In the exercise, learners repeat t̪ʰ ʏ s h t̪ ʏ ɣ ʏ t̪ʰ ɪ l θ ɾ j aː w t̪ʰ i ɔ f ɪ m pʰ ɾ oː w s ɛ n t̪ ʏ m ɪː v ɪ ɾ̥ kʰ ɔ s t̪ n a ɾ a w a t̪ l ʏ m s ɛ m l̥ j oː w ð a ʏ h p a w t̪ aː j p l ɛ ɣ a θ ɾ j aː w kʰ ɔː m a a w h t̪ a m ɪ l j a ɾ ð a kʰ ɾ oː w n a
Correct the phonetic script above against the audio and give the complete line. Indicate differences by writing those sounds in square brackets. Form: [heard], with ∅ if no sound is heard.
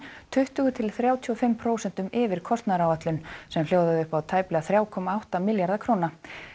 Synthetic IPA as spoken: t̪ʰ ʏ [∅] h t̪ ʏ ɣ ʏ t̪ʰ ɪ l θ ɾ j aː w t̪ʰ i ɔ f ɪ m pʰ ɾ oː w s ɛ n t̪ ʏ m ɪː v ɪ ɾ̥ kʰ ɔ s t̪ n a ɾ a w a t̪ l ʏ [n] s ɛ m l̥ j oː w ð a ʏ h p a w [t̪ʰ] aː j p l ɛ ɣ a θ ɾ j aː w kʰ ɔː m a a w h t̪ a m ɪ l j a ɾ ð a kʰ ɾ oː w n a